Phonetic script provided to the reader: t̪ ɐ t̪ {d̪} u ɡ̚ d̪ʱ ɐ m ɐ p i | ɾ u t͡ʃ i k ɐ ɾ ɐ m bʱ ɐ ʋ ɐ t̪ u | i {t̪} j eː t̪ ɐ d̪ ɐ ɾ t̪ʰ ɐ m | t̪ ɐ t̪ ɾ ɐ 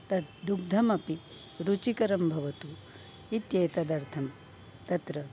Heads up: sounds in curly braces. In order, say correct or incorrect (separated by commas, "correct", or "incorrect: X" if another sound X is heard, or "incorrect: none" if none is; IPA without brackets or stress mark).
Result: correct, correct